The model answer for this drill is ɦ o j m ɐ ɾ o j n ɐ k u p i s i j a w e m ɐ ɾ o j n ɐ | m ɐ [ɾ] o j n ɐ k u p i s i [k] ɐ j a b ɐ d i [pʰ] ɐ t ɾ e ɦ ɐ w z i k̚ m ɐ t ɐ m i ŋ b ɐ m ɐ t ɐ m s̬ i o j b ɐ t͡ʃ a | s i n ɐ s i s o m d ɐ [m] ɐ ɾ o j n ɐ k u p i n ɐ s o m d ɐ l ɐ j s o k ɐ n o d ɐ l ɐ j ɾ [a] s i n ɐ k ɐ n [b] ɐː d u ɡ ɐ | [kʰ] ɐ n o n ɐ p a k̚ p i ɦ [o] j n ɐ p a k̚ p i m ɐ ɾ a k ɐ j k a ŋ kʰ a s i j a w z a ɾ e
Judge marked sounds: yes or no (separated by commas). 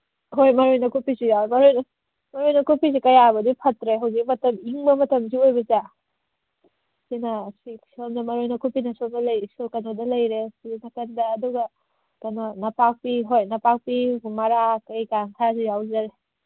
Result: yes, yes, yes, yes, no, no, no, yes